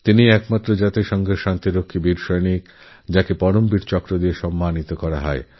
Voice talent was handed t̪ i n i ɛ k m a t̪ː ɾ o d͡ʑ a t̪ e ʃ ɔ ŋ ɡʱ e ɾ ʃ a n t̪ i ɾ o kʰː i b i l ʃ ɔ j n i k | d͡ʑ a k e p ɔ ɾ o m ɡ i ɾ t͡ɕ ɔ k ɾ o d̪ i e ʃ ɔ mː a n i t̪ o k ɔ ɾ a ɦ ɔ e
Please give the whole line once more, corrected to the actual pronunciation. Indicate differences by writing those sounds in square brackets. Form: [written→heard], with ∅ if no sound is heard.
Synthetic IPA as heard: t̪ i n i ɛ k m a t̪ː ɾ o d͡ʑ a t̪ e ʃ ɔ ŋ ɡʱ e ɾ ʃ a n t̪ i ɾ o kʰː i b i [l→ɾ] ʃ ɔ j n i k | d͡ʑ a k e p ɔ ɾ o m [ɡ→b] i ɾ t͡ɕ ɔ k ɾ o d̪ i e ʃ ɔ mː a n i t̪ o k ɔ ɾ a ɦ ɔ e